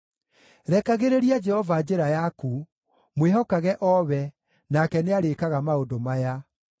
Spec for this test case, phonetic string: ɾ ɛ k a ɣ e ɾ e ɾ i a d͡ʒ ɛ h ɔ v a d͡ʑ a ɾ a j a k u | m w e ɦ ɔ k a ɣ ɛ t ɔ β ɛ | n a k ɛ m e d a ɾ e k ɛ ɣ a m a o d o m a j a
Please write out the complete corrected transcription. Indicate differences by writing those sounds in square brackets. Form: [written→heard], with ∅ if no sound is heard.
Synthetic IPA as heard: ɾ ɛ k a ɣ e ɾ e ɾ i a d͡ʒ ɛ h ɔ v a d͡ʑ [a→e] ɾ a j a k u | m w e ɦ ɔ k a ɣ ɛ [t→ʔ] ɔ β ɛ | n a k ɛ [m→n] e [d→∅] a ɾ e k [ɛ→a] ɣ a m a o d o m a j a